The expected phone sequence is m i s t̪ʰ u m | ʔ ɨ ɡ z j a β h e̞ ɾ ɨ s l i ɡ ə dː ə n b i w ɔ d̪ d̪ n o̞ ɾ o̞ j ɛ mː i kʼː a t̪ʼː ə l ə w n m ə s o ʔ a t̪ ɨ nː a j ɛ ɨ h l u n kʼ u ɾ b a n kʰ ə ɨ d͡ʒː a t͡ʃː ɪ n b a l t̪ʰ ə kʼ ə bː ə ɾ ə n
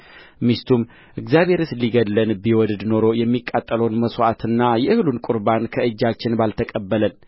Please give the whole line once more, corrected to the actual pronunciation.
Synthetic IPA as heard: m i s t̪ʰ u m | ʔ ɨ ɡ z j a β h e̞ ɾ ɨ s l i ɡ ə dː ə n b i w ɔ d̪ d̪ n o̞ ɾ o̞ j ɛ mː i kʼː a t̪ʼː ə l ə w n m ə s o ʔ a t̪ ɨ nː a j ɛ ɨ h l u n kʼ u ɾ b a n kʰ ə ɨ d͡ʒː a t͡ʃː ɪ n b a l t̪ʰ ə kʼ ə bː ə l ə n